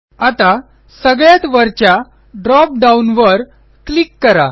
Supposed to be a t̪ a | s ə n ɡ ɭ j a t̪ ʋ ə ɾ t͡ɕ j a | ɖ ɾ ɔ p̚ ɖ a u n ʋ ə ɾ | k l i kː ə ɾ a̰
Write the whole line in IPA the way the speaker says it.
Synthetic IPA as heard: a t̪ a | s ə ɡ ɭ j a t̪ ʋ ə ɾ t͡ɕ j a | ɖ ɾ ɔ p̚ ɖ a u n ʋ ə ɾ | k l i kː ə ɾ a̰